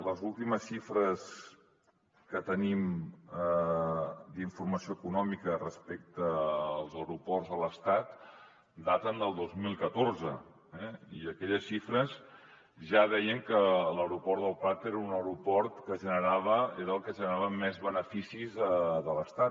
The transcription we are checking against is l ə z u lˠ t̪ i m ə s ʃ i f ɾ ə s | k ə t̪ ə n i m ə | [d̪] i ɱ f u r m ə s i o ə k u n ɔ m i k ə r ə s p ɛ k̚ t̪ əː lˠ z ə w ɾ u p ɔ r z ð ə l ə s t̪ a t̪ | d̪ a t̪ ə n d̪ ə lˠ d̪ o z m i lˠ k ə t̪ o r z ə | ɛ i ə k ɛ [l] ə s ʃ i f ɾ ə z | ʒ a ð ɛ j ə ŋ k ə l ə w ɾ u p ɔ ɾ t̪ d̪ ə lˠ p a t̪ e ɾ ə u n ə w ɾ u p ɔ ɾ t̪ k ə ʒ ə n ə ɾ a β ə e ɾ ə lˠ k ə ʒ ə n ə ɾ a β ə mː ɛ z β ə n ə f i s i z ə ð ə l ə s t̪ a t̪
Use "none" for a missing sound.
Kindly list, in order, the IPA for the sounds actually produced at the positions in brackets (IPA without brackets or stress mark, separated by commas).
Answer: d̪, ʎ